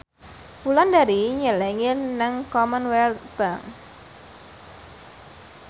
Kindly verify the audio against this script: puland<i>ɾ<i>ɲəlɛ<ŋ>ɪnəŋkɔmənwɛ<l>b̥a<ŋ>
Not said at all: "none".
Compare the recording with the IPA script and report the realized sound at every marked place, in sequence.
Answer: a, i, ŋ, l, ŋ

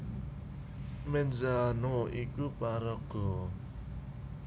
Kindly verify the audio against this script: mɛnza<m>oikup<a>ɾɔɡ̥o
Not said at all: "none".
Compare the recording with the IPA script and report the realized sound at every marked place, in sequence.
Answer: n, a

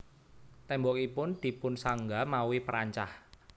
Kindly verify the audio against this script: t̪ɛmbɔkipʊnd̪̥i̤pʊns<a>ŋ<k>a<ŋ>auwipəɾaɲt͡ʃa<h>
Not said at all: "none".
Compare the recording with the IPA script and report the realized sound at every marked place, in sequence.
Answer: a, ɡ, m, h

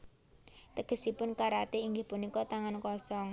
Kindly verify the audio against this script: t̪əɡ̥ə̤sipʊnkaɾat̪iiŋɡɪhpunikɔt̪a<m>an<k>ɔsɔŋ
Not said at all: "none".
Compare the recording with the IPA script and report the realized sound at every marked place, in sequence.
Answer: ŋ, k

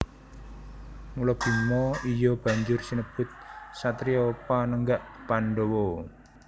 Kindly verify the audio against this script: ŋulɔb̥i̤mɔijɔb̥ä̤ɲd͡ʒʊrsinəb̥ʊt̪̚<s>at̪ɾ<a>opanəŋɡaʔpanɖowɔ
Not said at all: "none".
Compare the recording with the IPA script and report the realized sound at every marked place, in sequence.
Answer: s, i

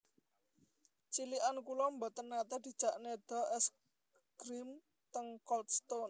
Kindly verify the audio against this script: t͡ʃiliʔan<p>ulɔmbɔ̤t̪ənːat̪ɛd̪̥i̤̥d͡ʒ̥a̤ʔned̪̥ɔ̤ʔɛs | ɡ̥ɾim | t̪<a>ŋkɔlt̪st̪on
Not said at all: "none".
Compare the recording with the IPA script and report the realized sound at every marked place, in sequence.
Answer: k, ə

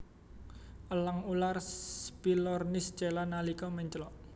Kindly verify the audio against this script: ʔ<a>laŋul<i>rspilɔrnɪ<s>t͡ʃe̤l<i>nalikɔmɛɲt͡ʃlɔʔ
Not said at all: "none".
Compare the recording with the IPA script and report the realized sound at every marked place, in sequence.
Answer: ə, a, s, a

